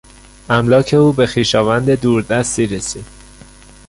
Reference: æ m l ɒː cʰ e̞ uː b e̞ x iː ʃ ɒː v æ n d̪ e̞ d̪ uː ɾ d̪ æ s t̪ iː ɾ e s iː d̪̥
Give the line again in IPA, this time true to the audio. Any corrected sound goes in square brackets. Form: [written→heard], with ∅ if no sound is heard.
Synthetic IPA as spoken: æ m l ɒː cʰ e̞ uː b e̞ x iː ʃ ɒː v æ n d̪ e̞ d̪ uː ɾ d̪ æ s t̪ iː ɾ e s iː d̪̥